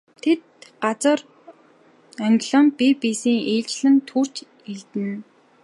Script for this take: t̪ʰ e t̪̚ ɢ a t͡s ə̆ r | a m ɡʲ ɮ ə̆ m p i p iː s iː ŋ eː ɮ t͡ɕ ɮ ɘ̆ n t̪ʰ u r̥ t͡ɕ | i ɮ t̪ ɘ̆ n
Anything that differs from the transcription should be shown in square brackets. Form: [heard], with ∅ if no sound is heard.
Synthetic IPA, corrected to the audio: t̪ʰ e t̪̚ ɢ a t͡s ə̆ r | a [ŋ] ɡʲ ɮ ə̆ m p i p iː s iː ŋ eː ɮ t͡ɕ ɮ ɘ̆ n t̪ʰ u r̥ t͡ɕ | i ɮ t̪ ɘ̆ n

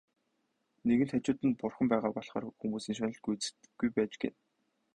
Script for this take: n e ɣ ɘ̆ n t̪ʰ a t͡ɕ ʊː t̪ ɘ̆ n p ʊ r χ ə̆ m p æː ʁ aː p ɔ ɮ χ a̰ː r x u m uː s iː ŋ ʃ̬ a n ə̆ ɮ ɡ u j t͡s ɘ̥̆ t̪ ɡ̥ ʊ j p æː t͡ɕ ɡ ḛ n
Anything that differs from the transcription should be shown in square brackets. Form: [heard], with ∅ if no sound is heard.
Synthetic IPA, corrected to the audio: n e ɣ ɘ̆ n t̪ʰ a t͡ɕ ʊː t̪ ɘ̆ n p ʊ r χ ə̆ m p æː ʁ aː p ɔ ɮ χ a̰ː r x u m uː s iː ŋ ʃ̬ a n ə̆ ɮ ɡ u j t͡s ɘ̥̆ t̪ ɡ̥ [u] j p æː t͡ɕ ɡ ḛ n

